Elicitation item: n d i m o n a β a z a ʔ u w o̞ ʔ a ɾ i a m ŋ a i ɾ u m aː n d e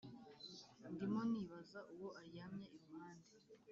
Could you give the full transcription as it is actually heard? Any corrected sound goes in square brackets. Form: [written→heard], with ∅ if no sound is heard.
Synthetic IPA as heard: n d i m o n [a→i] β a z a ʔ u w o̞ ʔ a ɾ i a m [ŋ→ɲ] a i ɾ u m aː n d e